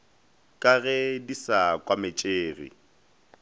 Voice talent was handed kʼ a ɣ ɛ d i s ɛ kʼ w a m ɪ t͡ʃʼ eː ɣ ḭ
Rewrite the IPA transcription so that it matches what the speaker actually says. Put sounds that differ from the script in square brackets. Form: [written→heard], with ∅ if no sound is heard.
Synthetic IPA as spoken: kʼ a ɣ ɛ d i s [ɛ→a] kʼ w a m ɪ t͡ʃʼ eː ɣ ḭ